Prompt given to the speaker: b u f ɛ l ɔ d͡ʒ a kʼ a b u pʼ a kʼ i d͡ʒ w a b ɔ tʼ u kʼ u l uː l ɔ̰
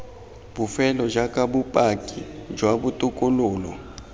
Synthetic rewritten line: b u f ɛ l ɔ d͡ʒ a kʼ a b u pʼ a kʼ i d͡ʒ w a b u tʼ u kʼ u l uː l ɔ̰